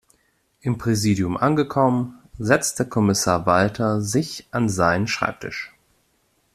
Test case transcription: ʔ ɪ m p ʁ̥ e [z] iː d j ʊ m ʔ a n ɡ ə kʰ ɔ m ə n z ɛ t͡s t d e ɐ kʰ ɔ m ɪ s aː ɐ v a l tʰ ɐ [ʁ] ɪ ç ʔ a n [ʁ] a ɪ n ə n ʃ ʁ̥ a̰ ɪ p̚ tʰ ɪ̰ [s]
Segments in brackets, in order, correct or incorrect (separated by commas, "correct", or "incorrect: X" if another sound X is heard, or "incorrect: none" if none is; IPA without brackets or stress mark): correct, incorrect: z, incorrect: z, incorrect: ʃ